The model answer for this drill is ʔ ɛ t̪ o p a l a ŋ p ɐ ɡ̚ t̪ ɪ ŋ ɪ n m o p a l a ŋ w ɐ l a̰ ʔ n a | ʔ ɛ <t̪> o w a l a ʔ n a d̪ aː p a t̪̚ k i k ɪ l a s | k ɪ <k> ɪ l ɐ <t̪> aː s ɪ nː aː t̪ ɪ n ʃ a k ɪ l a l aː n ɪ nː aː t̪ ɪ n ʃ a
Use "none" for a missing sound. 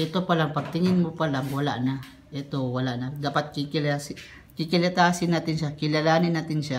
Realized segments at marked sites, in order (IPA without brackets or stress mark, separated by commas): t̪, k, t̪